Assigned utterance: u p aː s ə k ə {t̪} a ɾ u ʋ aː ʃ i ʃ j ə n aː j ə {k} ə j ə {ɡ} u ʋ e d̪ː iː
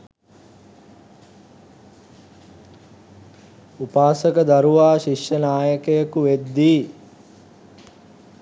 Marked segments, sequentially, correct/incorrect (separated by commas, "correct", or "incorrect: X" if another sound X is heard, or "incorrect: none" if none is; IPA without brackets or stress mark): incorrect: d̪, correct, incorrect: k